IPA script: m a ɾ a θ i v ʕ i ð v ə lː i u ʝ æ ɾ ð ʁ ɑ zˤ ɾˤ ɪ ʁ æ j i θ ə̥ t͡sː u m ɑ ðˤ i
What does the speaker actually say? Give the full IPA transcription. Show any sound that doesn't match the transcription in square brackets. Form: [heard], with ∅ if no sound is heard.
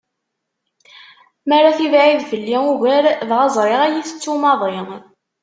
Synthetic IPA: m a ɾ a θ i v ʕ i ð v ə lː i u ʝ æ ɾ ð ʁ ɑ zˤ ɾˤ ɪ ʁ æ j i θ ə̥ t͡sː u m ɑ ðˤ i